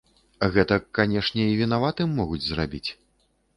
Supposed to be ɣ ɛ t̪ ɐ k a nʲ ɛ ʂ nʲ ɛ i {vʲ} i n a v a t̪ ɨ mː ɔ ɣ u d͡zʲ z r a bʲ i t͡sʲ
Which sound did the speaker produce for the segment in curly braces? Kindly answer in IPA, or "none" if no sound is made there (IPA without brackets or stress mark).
vʲ